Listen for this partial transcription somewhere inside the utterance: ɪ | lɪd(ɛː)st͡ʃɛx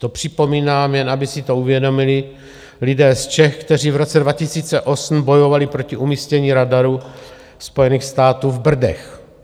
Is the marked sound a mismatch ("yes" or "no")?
no